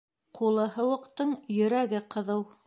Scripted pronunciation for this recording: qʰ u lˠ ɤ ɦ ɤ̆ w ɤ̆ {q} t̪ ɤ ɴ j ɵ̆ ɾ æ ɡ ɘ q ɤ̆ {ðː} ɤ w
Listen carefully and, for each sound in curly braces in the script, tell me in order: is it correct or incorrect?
correct, incorrect: ð

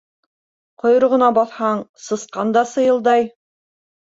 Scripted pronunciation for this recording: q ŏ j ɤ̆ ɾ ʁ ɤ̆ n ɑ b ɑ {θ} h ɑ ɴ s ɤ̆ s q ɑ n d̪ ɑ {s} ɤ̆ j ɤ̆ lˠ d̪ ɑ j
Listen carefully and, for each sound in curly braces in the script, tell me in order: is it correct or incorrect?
correct, correct

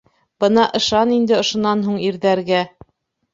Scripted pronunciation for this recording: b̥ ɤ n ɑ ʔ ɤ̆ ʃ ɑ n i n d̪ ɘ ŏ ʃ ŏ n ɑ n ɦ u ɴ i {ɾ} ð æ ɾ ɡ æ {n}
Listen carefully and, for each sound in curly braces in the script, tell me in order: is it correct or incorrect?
correct, incorrect: none

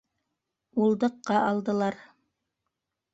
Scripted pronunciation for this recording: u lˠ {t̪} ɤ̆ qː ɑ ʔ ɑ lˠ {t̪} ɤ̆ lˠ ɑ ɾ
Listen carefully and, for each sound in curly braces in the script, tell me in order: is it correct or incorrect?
incorrect: d̪, incorrect: d̪

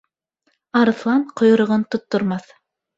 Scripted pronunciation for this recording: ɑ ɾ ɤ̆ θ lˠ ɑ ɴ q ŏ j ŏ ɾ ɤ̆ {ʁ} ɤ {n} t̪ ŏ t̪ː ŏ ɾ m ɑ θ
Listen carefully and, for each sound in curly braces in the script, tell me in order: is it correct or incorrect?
correct, correct

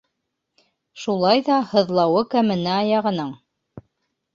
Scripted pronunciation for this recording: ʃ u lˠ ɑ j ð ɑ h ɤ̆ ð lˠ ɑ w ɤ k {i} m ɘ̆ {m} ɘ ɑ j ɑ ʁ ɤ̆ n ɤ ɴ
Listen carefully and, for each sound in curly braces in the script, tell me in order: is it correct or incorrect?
incorrect: æ, incorrect: n

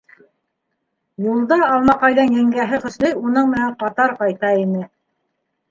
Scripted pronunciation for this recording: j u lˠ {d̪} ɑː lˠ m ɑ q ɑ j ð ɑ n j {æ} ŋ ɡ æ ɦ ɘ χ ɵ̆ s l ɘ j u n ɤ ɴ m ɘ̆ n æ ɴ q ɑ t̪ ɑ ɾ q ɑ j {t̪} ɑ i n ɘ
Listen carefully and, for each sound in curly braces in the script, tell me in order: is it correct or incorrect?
correct, correct, correct

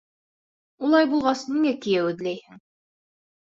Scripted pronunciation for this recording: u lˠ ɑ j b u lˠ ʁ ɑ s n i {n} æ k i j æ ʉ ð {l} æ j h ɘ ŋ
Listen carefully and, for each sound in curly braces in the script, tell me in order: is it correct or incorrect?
incorrect: ŋ, correct

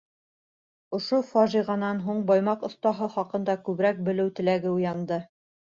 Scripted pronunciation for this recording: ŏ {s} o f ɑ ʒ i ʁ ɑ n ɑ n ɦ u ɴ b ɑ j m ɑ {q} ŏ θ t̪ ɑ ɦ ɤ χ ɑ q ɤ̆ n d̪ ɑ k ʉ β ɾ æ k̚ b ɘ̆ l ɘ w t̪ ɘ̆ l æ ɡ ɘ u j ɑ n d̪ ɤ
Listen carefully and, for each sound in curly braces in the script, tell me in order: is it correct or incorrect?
incorrect: ʃ, correct

